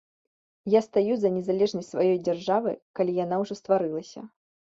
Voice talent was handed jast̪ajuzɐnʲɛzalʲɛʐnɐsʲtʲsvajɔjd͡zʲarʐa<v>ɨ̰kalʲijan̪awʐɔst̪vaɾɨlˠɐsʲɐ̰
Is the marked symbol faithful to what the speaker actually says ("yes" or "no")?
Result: yes